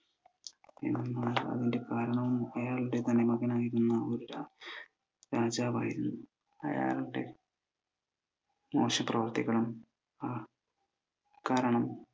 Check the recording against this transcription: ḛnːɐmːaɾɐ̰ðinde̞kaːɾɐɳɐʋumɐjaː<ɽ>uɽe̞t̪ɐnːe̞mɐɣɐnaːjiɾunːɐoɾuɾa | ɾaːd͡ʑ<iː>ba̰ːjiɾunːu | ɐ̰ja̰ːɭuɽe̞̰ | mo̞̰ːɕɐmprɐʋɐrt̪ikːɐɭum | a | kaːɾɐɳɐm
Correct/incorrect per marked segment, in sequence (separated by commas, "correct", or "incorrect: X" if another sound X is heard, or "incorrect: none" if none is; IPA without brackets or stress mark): incorrect: ɭ, incorrect: aː